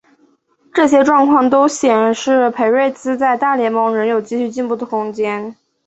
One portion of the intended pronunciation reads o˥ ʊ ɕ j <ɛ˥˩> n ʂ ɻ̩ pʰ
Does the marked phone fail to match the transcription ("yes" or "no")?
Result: yes